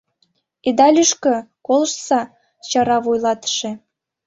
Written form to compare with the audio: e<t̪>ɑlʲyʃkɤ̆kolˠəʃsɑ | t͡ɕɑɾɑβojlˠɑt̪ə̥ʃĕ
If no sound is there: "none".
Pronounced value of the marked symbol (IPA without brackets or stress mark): d̪